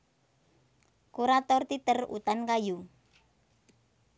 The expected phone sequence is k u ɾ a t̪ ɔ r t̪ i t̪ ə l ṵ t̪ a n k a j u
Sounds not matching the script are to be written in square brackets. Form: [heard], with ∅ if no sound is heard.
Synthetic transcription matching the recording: k u ɾ a t̪ ɔ r t̪ i t̪ ə [r] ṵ t̪ a n k a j u